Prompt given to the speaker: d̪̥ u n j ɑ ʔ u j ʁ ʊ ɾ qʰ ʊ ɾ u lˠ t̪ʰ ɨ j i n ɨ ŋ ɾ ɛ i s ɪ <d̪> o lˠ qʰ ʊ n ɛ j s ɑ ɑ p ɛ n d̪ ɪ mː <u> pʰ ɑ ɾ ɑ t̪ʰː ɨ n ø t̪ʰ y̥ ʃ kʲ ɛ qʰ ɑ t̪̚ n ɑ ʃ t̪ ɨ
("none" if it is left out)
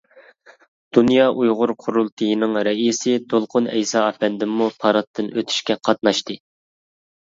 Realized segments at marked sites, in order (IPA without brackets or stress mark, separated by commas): d̪, u